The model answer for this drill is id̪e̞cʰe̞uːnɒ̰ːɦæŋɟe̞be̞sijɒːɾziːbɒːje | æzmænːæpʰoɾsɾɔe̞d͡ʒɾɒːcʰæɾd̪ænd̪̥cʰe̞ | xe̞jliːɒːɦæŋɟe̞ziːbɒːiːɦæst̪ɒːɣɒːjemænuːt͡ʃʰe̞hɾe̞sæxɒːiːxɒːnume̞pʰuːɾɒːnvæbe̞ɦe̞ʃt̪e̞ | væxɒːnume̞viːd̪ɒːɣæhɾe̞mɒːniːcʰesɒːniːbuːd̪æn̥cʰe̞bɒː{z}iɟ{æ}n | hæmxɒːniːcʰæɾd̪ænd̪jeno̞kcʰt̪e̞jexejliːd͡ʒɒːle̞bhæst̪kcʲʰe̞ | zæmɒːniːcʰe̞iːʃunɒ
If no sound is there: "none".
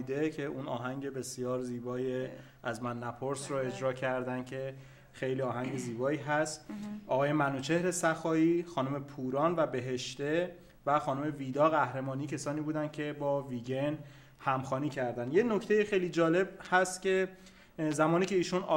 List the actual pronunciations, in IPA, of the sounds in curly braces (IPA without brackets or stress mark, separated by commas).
v, e